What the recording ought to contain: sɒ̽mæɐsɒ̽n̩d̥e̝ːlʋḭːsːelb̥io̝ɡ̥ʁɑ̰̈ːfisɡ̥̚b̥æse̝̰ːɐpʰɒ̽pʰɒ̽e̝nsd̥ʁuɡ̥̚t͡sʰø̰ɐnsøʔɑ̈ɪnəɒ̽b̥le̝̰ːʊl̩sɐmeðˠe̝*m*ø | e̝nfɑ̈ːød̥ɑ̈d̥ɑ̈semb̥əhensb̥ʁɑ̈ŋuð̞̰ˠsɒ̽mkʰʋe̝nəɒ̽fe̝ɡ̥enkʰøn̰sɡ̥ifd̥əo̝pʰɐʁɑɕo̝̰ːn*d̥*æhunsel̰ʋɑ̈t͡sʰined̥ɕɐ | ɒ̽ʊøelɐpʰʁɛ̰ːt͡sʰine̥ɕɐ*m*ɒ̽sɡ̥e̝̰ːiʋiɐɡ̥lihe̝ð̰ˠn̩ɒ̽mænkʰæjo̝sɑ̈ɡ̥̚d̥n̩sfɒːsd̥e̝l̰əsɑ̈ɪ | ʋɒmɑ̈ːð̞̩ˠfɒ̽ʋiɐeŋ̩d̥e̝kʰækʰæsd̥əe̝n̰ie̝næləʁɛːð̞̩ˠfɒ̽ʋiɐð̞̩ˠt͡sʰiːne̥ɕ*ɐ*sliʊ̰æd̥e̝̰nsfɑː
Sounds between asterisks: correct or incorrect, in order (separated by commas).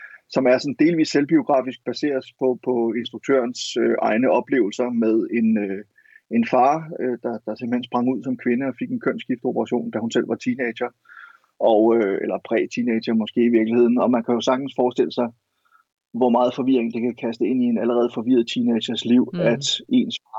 incorrect, correct, correct, correct